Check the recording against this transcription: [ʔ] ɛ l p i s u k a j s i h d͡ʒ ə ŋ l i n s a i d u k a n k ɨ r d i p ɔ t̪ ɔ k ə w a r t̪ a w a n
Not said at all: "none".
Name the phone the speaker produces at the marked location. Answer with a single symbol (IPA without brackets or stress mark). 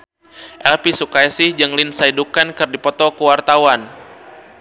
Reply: ʔ